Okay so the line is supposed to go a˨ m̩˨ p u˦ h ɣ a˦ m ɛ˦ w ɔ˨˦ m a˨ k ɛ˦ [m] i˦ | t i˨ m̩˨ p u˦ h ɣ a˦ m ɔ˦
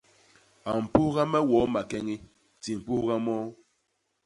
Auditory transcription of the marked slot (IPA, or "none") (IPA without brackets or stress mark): ŋ